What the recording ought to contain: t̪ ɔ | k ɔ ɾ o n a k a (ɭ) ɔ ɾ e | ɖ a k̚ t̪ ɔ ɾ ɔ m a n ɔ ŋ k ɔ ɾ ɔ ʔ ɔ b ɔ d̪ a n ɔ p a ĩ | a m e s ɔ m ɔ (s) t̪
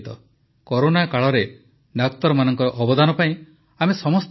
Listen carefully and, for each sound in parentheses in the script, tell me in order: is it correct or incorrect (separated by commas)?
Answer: correct, correct